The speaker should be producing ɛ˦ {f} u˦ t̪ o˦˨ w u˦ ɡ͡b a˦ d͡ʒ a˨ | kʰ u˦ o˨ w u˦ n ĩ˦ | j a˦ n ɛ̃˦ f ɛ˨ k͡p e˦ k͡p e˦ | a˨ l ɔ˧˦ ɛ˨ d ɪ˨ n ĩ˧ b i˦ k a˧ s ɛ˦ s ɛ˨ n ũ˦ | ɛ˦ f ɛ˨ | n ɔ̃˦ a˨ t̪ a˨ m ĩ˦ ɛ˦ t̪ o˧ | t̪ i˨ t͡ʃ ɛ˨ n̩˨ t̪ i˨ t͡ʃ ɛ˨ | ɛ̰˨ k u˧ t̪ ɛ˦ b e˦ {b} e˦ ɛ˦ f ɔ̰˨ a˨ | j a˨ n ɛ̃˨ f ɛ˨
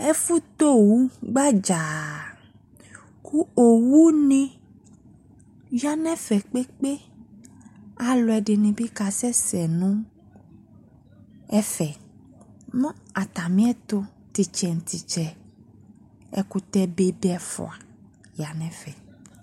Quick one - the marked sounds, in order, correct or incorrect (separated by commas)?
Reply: correct, correct